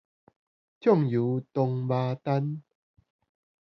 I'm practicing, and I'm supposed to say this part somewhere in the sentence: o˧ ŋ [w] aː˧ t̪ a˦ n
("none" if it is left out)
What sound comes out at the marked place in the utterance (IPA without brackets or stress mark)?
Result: b